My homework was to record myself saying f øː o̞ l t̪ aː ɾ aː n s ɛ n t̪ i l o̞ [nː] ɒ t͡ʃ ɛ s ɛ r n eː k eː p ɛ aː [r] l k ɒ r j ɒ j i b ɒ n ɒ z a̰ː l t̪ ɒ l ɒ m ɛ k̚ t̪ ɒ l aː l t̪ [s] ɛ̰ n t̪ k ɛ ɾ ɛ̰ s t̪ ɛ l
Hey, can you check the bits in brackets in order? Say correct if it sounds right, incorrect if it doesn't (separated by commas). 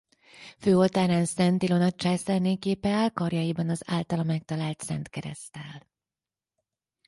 incorrect, incorrect, correct